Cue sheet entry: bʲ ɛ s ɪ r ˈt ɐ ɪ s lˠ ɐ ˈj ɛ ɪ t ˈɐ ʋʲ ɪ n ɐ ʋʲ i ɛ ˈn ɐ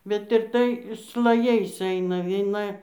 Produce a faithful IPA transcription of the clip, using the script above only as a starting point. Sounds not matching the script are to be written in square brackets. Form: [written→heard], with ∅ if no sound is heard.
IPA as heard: bʲ ɛ [s→t] ɪ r ˈt ɐ ɪ s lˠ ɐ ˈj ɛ ɪ [t→s] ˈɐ [ʋʲ→∅] ɪ n ɐ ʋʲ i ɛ ˈn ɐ